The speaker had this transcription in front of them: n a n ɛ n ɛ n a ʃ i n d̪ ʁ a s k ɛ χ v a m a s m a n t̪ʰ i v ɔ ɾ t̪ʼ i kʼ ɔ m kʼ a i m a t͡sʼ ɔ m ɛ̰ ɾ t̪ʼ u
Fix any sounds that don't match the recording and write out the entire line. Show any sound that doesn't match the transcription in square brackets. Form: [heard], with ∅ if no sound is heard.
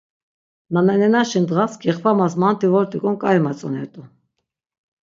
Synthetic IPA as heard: n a n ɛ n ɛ n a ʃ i n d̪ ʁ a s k ɛ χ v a m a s m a n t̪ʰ i v ɔ ɾ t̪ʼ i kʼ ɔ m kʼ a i m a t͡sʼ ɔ [n] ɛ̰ ɾ t̪ʼ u